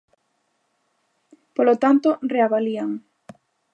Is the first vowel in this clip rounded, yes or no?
yes